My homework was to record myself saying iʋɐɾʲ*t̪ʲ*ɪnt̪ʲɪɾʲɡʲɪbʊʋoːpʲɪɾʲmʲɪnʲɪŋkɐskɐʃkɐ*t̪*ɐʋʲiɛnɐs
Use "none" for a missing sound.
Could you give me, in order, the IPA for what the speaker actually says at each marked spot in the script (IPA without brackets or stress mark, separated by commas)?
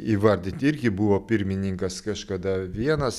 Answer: d̪ʲ, d̪